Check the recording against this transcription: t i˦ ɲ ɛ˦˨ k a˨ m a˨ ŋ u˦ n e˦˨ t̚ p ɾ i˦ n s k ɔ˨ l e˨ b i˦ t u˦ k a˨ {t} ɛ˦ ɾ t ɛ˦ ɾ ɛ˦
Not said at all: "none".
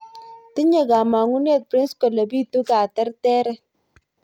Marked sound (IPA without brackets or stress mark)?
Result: t